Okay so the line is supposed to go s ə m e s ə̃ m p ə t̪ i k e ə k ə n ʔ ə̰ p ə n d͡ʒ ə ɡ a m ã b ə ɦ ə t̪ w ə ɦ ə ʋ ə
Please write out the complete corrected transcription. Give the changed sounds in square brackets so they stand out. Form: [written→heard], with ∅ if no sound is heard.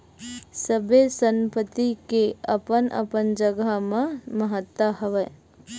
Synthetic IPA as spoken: s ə [m→b] e s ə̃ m p ə t̪ i k e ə [k→p] ə n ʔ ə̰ p ə n d͡ʒ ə ɡ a m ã [b→m] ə ɦ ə t̪ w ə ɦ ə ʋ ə

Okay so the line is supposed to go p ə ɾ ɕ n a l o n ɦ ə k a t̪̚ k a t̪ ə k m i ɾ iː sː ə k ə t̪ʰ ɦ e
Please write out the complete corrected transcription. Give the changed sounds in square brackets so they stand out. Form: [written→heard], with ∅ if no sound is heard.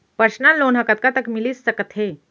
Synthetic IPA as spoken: p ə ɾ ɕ n a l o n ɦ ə k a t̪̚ k a t̪ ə k m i [ɾ→l] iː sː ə k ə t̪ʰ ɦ e

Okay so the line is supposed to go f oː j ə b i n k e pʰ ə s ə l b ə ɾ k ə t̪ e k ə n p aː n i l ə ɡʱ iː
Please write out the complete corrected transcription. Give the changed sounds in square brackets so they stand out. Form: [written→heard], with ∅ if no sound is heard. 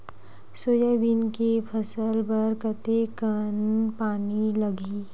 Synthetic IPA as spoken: [f→s] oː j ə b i n k e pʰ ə s ə l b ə ɾ k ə t̪ e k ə n p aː n i l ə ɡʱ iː

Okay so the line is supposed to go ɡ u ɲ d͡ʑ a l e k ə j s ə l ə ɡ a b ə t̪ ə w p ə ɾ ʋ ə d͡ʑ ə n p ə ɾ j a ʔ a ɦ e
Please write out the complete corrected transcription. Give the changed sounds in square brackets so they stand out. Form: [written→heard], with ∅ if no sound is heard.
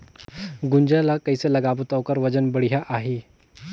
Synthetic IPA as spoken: ɡ u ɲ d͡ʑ a l [e→a] k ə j s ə l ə ɡ a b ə t̪ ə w [p→k] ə ɾ ʋ ə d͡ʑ ə n [p→b] ə [ɾ→ɽ] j a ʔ a ɦ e

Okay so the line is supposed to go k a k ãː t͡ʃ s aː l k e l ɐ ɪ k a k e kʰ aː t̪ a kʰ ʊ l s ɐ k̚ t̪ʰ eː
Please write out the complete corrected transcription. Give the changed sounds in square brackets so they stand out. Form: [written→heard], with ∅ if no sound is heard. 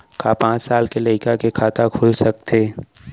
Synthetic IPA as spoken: k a [k→p] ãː t͡ʃ s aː l k e l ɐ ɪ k a k e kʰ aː t̪ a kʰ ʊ l s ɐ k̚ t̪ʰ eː

